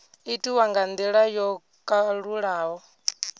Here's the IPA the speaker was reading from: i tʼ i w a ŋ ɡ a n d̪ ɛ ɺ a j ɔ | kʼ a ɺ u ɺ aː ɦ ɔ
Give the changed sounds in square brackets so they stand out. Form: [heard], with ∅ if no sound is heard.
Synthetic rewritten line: i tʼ i w a ŋ ɡ a n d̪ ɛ ɺ a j ɔ | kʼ a ɺ u ɺ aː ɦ ɔ